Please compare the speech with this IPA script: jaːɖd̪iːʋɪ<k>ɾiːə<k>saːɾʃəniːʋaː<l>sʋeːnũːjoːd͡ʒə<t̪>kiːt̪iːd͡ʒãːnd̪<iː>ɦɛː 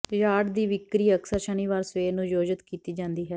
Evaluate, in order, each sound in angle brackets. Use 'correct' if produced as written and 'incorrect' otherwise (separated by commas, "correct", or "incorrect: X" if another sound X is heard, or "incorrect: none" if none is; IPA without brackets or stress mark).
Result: correct, correct, incorrect: ɾ, correct, correct